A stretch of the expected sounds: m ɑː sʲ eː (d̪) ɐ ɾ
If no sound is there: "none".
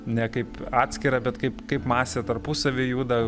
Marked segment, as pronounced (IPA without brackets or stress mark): t̪